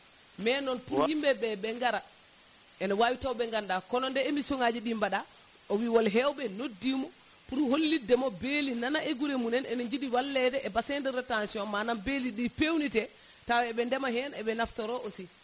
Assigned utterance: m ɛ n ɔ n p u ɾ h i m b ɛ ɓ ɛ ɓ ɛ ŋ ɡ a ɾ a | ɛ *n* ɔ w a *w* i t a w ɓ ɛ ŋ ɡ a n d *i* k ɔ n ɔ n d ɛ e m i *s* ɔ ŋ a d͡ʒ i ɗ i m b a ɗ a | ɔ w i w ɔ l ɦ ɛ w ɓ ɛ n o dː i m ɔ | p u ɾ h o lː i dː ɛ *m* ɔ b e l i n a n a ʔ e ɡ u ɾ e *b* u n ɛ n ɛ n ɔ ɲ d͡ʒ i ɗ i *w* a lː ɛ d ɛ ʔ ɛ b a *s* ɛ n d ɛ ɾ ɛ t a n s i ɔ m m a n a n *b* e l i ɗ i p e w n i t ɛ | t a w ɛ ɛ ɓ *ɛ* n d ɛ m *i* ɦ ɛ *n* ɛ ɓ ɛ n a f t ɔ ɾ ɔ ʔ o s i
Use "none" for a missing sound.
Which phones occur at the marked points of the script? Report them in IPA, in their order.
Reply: n, w, a, s, m, m, w, s, b, ɛ, a, n

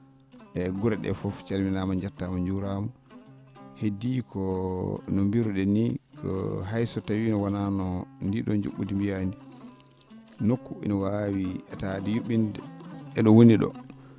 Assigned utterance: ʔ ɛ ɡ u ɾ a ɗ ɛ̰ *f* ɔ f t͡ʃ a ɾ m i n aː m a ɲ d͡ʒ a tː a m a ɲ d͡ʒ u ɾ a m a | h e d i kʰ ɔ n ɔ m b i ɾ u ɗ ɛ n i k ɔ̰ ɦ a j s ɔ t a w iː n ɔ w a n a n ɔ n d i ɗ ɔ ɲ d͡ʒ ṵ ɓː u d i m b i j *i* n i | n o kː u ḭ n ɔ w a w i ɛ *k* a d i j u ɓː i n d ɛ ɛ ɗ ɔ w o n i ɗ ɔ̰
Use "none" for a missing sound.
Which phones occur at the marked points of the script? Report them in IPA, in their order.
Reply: f, a, t

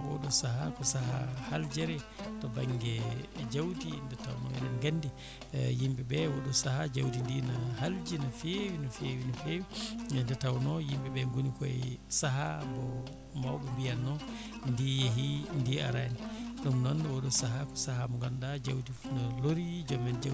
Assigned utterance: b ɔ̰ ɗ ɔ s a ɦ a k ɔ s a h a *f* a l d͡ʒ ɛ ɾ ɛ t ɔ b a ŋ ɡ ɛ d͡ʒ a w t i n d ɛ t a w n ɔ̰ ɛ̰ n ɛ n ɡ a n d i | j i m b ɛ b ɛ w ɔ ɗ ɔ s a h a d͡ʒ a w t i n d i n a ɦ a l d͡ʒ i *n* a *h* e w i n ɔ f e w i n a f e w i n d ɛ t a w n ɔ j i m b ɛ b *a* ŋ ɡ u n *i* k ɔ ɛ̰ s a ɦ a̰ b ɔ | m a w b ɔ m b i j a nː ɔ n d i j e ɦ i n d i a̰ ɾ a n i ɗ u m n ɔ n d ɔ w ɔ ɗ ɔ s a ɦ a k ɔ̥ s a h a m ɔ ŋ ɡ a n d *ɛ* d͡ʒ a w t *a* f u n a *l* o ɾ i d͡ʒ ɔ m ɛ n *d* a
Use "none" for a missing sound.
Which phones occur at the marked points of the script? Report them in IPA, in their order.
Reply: h, n, f, ɛ, i, a, i, l, d͡ʒ

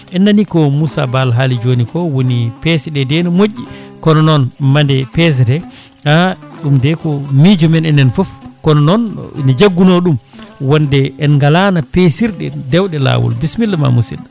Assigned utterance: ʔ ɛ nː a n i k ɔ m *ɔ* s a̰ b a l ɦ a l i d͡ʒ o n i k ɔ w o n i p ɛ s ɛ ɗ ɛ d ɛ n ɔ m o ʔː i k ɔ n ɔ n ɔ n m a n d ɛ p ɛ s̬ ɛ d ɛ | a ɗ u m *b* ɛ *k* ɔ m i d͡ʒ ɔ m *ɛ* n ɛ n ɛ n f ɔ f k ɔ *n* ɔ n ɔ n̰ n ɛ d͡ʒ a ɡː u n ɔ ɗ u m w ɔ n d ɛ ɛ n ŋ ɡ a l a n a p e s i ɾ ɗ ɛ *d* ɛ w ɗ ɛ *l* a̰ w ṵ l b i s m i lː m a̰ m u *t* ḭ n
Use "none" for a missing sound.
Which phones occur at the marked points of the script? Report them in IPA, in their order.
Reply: u, d, k, ɛ, n, d, l, s

